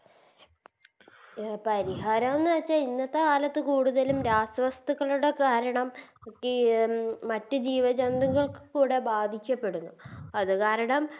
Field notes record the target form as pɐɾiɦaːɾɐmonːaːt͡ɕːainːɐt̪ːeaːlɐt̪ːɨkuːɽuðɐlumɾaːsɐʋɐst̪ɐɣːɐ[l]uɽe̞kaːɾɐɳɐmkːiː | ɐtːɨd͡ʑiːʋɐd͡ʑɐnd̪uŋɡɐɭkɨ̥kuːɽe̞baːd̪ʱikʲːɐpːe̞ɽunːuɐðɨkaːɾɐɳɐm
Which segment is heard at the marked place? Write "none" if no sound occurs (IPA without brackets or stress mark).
ɭ